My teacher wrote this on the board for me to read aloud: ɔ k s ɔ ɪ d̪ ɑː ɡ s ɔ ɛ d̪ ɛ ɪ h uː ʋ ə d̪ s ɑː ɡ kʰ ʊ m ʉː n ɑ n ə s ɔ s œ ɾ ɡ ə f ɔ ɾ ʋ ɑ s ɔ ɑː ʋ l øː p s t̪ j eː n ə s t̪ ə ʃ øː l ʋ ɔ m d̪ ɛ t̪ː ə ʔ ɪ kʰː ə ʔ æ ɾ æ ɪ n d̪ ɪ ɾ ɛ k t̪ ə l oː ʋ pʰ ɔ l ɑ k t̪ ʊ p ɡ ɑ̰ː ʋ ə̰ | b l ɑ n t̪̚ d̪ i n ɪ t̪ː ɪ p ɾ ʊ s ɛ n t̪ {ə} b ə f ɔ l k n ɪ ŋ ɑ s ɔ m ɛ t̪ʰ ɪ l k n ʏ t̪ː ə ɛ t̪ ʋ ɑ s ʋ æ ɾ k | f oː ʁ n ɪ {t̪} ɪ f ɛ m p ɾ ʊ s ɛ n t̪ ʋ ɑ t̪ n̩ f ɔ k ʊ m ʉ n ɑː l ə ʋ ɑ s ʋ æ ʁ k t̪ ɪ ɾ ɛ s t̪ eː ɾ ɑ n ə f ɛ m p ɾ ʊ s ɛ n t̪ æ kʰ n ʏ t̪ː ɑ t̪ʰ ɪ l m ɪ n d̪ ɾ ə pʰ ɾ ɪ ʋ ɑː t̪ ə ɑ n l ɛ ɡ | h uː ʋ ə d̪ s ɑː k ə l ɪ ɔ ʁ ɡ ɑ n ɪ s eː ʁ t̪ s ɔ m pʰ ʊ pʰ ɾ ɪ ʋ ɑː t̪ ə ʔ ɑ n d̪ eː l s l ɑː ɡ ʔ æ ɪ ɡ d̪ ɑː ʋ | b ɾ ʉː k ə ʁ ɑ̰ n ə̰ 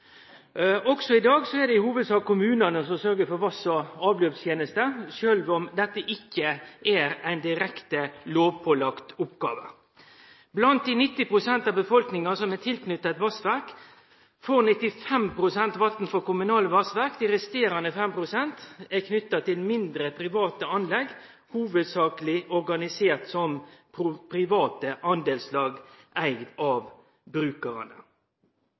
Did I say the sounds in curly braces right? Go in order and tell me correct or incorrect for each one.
incorrect: ɑ, correct

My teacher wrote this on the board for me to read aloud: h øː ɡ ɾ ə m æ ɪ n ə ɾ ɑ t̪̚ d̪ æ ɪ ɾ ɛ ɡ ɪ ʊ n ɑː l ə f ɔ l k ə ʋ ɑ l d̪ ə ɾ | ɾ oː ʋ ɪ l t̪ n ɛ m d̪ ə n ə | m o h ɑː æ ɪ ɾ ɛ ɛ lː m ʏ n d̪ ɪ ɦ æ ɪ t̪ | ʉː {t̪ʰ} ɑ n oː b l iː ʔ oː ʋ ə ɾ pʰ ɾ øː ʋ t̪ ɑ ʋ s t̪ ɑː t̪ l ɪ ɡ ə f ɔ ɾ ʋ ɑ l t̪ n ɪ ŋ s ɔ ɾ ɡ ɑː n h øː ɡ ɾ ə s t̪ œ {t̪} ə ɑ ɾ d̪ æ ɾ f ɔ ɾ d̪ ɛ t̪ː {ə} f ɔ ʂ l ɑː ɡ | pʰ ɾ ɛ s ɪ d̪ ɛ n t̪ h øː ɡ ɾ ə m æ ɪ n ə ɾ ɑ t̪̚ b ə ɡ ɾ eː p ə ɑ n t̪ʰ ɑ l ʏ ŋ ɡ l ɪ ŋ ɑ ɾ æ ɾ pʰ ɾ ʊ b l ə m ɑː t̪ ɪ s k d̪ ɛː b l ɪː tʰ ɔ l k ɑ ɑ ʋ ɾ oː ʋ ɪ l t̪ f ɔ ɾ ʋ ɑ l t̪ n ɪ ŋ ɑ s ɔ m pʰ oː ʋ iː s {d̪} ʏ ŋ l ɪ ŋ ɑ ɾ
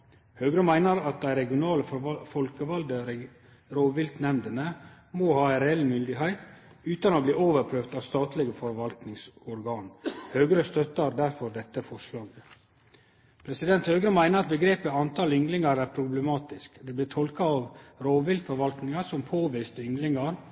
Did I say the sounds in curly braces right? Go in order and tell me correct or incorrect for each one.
incorrect: t̪, correct, correct, incorrect: t̪

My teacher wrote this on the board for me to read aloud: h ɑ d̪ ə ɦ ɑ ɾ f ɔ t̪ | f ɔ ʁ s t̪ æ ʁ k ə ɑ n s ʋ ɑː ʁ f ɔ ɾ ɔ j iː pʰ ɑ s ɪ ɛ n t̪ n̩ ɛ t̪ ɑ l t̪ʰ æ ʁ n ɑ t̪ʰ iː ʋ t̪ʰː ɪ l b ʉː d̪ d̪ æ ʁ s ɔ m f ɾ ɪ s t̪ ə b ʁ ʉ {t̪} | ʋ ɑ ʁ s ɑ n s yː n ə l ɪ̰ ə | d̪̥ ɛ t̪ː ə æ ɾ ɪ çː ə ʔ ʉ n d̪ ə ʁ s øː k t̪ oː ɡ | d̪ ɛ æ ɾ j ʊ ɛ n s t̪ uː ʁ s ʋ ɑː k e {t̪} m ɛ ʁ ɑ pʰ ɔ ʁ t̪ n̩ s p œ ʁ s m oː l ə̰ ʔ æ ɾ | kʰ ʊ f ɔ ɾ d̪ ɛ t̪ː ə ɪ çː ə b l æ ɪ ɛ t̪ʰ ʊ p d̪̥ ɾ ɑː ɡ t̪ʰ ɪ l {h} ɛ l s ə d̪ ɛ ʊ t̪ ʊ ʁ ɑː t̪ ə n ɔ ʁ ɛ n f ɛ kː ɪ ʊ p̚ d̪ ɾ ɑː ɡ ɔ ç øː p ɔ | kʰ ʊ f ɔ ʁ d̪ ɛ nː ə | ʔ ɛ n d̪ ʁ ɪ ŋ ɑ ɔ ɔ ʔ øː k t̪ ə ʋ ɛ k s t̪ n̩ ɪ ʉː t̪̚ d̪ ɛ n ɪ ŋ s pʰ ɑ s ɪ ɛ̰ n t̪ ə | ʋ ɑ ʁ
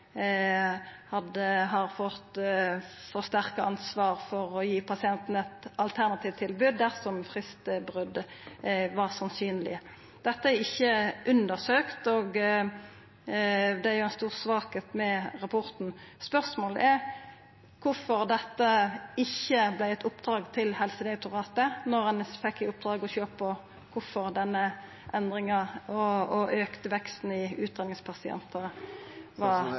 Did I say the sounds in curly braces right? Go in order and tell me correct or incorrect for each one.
incorrect: d̪, correct, correct

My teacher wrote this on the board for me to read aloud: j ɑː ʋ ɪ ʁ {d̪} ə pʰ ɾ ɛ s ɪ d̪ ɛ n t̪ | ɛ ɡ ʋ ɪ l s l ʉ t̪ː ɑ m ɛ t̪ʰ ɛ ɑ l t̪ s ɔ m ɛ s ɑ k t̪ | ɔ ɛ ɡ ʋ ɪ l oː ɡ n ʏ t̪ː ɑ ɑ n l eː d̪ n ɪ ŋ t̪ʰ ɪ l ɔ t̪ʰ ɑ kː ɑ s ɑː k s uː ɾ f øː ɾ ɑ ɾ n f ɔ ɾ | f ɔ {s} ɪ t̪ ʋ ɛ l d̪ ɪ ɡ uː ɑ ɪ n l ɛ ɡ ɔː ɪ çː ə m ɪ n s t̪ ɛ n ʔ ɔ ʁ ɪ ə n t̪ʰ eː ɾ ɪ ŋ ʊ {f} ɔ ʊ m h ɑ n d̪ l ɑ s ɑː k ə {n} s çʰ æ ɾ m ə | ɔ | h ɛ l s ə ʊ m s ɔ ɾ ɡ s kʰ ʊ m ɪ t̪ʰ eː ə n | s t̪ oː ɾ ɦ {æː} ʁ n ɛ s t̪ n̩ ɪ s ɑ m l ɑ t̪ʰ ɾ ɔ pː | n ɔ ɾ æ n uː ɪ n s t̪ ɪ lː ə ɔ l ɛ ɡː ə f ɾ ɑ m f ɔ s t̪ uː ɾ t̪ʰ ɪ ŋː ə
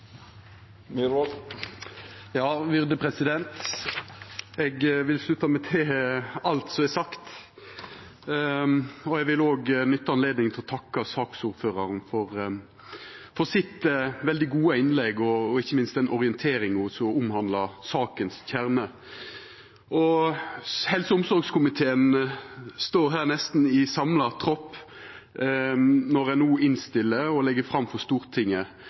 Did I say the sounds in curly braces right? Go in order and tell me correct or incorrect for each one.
correct, correct, incorrect: s, correct, correct

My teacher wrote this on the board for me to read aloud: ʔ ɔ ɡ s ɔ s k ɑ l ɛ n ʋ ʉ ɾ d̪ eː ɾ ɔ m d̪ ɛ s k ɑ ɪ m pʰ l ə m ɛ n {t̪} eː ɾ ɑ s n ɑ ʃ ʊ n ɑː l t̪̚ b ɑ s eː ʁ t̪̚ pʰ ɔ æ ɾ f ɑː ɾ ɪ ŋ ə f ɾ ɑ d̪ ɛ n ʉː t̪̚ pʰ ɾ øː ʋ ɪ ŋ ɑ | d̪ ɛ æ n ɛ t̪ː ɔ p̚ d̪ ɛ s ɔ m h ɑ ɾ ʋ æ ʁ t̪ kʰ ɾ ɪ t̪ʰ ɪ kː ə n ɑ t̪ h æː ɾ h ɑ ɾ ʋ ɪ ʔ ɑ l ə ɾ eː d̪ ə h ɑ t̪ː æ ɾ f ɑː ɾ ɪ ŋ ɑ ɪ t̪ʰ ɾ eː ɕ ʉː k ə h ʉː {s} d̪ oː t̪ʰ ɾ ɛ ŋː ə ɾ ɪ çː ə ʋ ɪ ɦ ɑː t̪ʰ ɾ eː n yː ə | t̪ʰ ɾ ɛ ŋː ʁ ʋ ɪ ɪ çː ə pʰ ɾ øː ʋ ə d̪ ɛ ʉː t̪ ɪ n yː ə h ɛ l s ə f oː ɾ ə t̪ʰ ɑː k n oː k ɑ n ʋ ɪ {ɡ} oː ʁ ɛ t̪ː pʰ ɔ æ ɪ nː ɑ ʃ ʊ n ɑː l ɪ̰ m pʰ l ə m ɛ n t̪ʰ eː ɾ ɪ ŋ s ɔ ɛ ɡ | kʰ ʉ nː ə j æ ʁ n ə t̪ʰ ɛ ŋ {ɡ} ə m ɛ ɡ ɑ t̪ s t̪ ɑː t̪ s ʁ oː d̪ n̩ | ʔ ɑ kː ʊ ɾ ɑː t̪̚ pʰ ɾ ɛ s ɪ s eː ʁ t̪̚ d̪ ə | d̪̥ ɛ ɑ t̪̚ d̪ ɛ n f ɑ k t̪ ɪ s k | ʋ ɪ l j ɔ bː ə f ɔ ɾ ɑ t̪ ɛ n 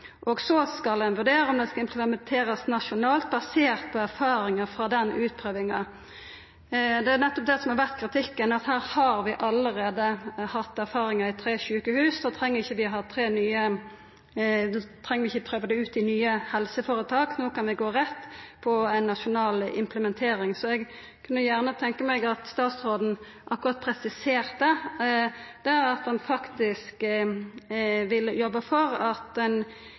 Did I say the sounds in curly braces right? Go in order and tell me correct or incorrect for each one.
incorrect: t̪ʰ, correct, correct, incorrect: k

